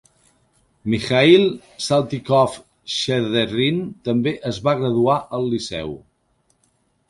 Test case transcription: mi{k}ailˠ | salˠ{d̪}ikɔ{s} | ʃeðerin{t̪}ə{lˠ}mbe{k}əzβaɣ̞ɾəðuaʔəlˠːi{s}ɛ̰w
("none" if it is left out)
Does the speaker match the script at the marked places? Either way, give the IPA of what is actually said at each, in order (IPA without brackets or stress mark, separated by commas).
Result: x, t̪, f, t̪, none, ʔ, s